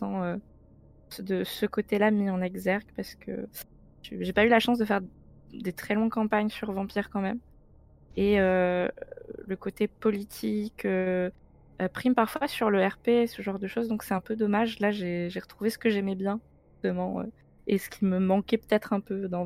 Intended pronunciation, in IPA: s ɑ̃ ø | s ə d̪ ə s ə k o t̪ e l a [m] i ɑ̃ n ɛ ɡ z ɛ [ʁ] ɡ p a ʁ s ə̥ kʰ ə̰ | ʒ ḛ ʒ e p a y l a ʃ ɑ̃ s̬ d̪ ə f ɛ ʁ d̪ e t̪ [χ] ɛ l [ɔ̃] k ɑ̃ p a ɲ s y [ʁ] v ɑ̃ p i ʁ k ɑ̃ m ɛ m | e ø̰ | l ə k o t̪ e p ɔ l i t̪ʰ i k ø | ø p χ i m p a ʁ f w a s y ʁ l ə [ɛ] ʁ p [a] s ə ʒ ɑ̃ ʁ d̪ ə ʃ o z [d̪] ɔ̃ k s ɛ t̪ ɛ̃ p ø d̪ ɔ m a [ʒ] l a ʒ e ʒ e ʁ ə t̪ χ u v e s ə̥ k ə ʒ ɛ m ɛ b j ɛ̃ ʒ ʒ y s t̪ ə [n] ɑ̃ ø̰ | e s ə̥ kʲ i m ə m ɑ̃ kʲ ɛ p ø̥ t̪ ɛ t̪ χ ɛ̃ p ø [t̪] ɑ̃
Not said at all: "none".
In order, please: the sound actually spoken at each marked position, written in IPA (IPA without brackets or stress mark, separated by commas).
m, ʁ, χ, ɔ̃, ʁ, ɛ, e, d̪, ʒ, m, d̪